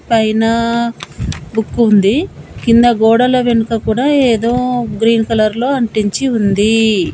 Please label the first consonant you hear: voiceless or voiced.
voiceless